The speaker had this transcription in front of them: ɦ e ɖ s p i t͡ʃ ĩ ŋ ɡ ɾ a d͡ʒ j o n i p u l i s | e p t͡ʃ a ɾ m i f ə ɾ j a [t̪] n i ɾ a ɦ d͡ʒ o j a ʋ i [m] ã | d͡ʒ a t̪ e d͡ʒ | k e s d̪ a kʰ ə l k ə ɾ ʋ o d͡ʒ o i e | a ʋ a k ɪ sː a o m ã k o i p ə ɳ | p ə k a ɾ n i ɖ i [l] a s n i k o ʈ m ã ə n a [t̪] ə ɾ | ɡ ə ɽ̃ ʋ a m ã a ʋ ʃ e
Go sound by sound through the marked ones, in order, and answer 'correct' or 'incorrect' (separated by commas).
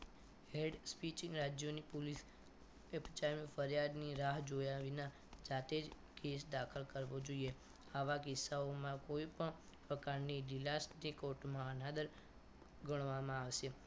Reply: incorrect, incorrect, correct, incorrect